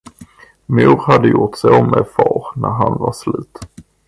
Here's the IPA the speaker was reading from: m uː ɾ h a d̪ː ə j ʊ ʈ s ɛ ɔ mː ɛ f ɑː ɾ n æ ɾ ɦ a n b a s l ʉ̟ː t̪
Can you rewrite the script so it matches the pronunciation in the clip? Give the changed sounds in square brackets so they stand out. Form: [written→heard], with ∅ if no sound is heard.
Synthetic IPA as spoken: m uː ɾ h a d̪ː ə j ʊ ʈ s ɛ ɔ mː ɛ f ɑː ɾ n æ ɾ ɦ a n [b→v] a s l ʉ̟ː t̪

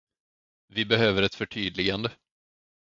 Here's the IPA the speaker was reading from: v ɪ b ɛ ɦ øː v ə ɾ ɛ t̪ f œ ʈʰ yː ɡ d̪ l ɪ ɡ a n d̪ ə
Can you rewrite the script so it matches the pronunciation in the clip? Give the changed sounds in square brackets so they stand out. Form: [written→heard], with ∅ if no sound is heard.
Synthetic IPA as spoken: v ɪ b ɛ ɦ øː v ə ɾ ɛ t̪ f œ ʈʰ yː [ɡ→∅] d̪ l ɪ ɡ a n d̪ ə

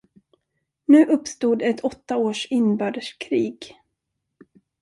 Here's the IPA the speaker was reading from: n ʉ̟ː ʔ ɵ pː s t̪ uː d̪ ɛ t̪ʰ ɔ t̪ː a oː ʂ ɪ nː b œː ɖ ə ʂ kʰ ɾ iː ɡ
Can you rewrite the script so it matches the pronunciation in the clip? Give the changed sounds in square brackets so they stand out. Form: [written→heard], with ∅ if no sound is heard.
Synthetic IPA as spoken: n ʉ̟ː ʔ ɵ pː s t̪ uː d̪ ɛ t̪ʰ ɔ t̪ː a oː ʂ ɪ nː b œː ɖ ə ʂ kʰ ɾ iː ɡ

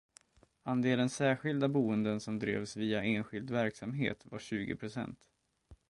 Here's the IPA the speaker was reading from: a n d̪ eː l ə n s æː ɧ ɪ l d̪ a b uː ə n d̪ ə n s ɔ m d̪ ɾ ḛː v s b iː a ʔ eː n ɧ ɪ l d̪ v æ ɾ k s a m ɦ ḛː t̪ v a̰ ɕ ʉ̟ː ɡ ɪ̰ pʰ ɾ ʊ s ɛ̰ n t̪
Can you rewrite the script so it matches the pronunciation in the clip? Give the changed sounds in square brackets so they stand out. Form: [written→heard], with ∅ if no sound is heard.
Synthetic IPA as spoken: a n d̪ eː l ə n s æː ɧ ɪ l d̪ a b uː ə n d̪ ə n s ɔ m d̪ ɾ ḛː v s [b→v] iː a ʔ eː n ɧ ɪ l d̪ v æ ɾ k s a m ɦ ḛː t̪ v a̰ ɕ ʉ̟ː ɡ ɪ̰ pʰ ɾ ʊ s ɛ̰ n t̪

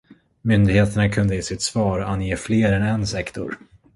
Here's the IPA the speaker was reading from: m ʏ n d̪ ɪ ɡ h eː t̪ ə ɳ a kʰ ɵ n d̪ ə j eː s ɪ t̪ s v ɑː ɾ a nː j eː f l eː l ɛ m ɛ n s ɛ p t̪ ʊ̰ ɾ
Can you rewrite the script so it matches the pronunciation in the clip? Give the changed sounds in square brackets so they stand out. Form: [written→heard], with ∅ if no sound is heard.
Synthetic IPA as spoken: m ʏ n d̪ ɪ ɡ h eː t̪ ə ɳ a kʰ ɵ n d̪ ə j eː s ɪ t̪ s v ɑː ɾ a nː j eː f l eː [l→ɾ] ɛ [m→n] ɛ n s ɛ [p→k] t̪ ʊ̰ ɾ

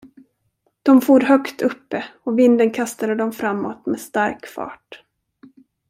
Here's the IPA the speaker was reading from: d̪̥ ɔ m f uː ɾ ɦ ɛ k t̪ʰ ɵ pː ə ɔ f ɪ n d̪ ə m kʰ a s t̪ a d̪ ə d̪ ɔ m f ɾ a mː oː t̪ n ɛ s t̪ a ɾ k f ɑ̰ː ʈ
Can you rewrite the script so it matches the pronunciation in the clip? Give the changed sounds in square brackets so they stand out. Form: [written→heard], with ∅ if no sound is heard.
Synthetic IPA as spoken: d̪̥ ɔ m f uː ɾ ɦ [ɛ→œ] k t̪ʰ ɵ pː ə ɔ [f→v] ɪ n d̪ ə [m→n] kʰ a s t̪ a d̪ ə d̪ ɔ m f ɾ a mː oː t̪ [n→m] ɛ s t̪ a ɾ k f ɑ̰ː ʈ

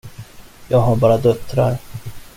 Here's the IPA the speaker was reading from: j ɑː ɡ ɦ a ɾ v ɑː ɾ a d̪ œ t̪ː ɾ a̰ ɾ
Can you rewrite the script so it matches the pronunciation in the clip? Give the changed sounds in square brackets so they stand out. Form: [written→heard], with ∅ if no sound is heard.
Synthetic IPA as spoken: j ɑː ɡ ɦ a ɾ [v→b] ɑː ɾ a d̪ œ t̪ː ɾ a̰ ɾ

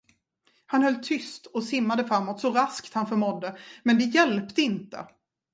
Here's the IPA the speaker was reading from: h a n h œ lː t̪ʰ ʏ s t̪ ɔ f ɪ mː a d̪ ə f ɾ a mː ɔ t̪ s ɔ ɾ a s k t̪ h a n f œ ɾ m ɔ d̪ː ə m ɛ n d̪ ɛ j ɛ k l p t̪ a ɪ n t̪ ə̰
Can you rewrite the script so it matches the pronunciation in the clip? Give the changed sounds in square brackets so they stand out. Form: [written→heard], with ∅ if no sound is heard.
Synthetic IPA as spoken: h a n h œ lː t̪ʰ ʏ s t̪ ɔ [f→s] ɪ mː a d̪ ə f ɾ a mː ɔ t̪ s ɔ ɾ a s k t̪ h a n f œ ɾ m ɔ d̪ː ə m ɛ n d̪ ɛ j ɛ [k→∅] l p t̪ [a→ə] ɪ n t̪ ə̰

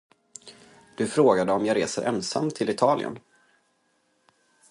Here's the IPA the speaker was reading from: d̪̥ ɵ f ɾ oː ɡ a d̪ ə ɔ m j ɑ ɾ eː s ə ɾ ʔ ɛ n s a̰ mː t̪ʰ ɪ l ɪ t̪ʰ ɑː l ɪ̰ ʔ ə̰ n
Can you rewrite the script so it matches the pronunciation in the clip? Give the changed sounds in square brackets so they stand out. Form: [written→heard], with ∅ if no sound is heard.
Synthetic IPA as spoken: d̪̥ ɵ f ɾ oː ɡ a d̪ ə ɔ m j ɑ ɾ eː s ə ɾ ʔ ɛ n s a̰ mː t̪ʰ ɪ l ɪ t̪ʰ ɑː l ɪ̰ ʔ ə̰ n

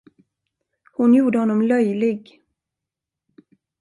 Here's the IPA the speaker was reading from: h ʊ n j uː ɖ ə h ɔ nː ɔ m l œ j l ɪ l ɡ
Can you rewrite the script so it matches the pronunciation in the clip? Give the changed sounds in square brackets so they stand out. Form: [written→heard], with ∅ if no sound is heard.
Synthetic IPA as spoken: h ʊ n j uː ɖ ə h ɔ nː ɔ m l œ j l ɪ [l→∅] ɡ

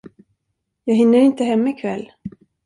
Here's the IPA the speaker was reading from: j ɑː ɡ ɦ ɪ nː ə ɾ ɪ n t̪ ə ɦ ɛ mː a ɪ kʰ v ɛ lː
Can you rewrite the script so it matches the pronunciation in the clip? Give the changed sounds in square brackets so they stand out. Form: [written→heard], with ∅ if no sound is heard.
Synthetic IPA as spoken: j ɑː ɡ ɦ ɪ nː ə ɾ ɪ n t̪ ə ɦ ɛ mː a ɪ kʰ v ɛ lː

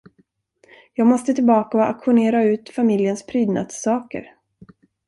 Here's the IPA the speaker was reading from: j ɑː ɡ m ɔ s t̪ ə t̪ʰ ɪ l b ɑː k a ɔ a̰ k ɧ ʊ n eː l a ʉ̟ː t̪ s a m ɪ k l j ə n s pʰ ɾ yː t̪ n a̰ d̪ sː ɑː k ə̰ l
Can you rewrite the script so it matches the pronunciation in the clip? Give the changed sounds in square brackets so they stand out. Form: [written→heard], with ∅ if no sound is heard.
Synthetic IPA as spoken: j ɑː ɡ m ɔ s t̪ ə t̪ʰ ɪ l b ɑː k a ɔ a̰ k ɧ ʊ n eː [l→ɾ] a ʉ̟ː t̪ [s→f] a m ɪ [k→∅] l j ə n s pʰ ɾ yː [t̪→d̪] n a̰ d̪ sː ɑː k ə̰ [l→ɾ]

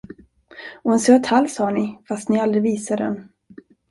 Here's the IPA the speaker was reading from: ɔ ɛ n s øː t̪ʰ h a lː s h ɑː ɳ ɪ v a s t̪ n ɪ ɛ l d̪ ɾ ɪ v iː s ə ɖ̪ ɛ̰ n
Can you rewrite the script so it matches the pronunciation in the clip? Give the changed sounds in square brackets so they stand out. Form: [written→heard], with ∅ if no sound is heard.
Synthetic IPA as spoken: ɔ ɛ n s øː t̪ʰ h a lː s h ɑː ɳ ɪ [v→f] a s t̪ n ɪ [ɛ→a] l d̪ ɾ ɪ v iː s [ə→a] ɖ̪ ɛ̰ n

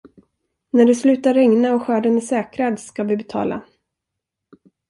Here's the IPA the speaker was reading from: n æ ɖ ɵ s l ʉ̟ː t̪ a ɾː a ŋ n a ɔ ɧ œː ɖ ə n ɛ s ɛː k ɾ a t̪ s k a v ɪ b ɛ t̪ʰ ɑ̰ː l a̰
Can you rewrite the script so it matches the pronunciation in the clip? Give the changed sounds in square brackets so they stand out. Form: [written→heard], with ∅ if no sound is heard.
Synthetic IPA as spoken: n æ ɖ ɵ s l ʉ̟ː t̪ a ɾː [a→ɛ] ŋ n a ɔ ɧ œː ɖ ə n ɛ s ɛː k ɾ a [t̪→d̪] s k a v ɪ b ɛ t̪ʰ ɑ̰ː l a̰

